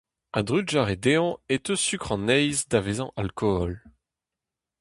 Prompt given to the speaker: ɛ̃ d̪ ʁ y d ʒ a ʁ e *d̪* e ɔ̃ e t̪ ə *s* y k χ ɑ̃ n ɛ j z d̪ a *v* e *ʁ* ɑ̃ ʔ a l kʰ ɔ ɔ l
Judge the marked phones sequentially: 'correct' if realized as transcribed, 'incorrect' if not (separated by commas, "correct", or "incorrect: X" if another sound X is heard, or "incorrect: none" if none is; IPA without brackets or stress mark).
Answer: correct, correct, correct, incorrect: z